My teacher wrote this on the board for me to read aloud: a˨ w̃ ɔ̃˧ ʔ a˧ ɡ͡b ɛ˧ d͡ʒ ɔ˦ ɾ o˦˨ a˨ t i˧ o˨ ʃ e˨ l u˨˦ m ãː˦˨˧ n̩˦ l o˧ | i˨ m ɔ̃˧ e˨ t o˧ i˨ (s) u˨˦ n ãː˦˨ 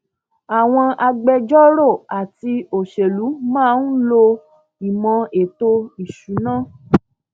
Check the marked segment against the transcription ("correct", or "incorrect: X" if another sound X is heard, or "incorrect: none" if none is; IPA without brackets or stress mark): incorrect: ʃ